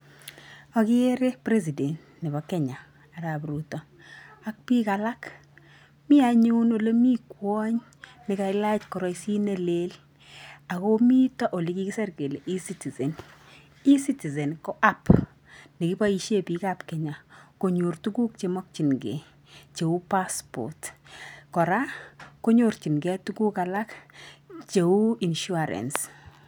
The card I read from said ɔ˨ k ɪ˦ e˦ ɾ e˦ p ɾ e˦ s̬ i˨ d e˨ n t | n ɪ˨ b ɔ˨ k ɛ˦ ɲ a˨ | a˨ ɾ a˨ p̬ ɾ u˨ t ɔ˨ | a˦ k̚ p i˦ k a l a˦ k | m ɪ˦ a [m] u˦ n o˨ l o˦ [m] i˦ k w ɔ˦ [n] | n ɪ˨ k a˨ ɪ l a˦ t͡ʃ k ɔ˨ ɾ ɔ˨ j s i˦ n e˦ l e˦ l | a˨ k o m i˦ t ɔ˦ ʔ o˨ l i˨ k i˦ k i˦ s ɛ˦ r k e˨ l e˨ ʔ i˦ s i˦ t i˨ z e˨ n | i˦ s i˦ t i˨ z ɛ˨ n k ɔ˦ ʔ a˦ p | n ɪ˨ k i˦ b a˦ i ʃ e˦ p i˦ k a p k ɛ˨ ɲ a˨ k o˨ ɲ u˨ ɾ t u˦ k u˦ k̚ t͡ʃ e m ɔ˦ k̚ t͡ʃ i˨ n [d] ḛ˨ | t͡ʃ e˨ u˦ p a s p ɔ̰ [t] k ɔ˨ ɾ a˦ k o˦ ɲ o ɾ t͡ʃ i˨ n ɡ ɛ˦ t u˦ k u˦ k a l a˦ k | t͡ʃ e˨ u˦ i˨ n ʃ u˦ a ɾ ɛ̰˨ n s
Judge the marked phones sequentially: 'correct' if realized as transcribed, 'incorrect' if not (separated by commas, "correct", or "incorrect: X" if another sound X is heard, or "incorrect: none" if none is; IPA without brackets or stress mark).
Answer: incorrect: ɲ, correct, incorrect: ɲ, incorrect: ɡ, correct